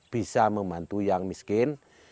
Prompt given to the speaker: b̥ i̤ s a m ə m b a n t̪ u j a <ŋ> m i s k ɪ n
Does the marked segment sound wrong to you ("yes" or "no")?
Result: no